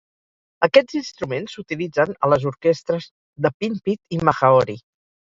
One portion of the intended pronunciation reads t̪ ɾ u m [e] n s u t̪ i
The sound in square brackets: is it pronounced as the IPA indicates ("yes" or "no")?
yes